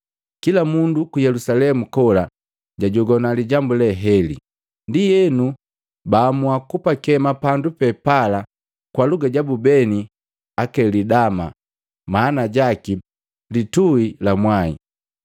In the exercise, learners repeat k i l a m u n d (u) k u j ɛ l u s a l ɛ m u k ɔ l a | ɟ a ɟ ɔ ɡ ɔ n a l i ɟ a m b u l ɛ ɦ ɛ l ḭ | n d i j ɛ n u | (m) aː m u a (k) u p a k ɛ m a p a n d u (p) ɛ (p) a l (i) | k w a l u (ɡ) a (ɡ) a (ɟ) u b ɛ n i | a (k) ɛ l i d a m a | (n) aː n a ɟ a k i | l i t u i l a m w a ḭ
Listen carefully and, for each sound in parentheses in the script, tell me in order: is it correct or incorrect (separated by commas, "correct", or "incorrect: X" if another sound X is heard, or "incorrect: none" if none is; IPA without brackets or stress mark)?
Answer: correct, incorrect: b, correct, correct, correct, incorrect: a, correct, incorrect: ɟ, incorrect: b, correct, incorrect: m